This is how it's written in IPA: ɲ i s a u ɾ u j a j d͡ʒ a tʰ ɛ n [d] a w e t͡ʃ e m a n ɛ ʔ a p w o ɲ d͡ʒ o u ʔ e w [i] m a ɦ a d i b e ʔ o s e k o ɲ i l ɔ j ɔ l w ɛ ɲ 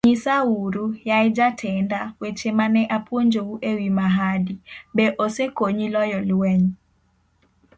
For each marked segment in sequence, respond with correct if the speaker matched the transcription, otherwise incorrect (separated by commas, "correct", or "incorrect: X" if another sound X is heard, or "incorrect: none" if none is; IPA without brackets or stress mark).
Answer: correct, correct